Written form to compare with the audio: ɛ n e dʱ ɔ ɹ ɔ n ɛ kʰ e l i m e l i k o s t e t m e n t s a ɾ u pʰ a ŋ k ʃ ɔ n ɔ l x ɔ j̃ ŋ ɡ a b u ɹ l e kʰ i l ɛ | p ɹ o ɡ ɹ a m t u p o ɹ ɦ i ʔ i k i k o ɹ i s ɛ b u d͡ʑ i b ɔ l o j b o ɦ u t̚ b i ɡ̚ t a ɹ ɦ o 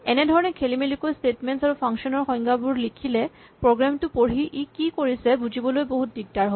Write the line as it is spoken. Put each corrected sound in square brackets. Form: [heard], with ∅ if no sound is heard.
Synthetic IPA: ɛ n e dʱ ɔ ɹ ɔ n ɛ kʰ e l i m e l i k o s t e t m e n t s a [ɹ] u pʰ a ŋ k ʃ ɔ n ɔ [ɹ] x ɔ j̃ ŋ ɡ a b u ɹ l [i] kʰ i l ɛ | p ɹ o ɡ ɹ a m t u p o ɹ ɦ i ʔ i k i k o ɹ i s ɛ b u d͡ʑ i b ɔ l o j b o ɦ u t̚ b i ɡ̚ t a ɹ ɦ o

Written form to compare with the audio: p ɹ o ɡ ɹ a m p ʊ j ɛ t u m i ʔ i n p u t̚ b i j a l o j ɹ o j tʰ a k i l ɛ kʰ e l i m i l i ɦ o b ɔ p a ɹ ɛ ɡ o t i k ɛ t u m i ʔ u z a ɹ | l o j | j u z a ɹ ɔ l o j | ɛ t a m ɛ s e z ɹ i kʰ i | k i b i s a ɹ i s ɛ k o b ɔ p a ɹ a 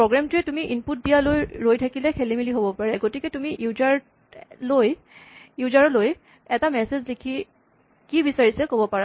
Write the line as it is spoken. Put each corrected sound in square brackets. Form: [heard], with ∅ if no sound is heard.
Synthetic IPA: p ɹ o ɡ ɹ a m [t] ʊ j ɛ t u m i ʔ i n p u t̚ [d] i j a l o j ɹ o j tʰ a k i l ɛ kʰ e l i m i l i ɦ o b ɔ p a ɹ ɛ ɡ o t i k ɛ t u m i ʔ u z a ɹ | l o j | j u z a ɹ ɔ l o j | ɛ t a m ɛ s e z [l] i kʰ i | k i b i s a ɹ i s ɛ k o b ɔ p a ɹ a

